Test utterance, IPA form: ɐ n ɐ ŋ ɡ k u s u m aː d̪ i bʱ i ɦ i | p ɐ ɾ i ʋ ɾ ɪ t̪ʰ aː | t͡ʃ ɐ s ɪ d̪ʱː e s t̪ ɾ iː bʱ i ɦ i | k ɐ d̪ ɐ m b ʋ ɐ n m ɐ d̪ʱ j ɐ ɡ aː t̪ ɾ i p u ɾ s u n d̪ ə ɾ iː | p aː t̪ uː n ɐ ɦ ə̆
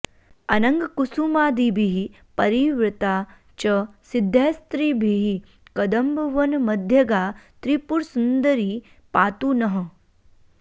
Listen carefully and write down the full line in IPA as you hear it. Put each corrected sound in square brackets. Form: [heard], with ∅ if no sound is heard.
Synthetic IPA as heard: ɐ n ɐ ŋ ɡ k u s u m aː d̪ i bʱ i ɦ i | p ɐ ɾ i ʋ ɾ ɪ [t̪] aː | t͡ʃ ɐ s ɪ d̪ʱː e s t̪ ɾ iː bʱ i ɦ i | k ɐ d̪ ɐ m b ʋ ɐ n m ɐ d̪ʱ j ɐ ɡ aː t̪ ɾ i p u ɾ s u n d̪ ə ɾ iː | p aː t̪ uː n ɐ ɦ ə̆